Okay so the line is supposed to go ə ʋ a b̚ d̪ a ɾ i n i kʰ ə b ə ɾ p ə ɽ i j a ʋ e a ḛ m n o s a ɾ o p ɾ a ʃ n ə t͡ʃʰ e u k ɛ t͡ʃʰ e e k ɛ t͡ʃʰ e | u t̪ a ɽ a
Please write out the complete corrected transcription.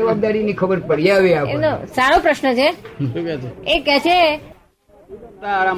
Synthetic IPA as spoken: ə ʋ a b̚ d̪ a ɾ i n i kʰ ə b ə ɾ p ə ɽ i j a ʋ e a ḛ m n o s a ɾ o p ɾ ə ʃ n ə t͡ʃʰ e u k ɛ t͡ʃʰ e e k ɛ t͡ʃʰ e | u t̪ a ɾ a